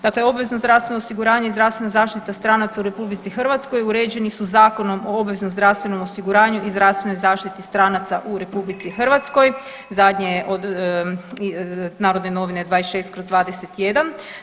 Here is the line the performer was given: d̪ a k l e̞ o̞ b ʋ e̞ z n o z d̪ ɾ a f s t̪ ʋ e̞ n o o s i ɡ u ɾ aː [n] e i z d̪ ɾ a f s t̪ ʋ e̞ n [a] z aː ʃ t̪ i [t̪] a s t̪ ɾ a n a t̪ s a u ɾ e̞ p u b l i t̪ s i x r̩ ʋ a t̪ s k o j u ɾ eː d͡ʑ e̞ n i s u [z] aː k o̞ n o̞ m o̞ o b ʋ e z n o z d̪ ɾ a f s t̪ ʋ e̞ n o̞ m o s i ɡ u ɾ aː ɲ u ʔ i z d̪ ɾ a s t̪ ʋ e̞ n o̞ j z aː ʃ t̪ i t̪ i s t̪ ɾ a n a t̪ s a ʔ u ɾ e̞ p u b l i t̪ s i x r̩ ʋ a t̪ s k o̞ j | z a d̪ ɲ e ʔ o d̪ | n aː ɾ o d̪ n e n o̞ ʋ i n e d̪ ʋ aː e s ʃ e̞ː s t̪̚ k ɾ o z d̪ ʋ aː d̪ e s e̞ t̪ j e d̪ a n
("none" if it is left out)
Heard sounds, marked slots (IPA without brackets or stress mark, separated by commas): ɲ, a, t̪, z